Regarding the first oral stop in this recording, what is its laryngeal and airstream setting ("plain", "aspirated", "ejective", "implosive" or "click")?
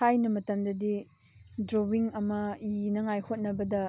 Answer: plain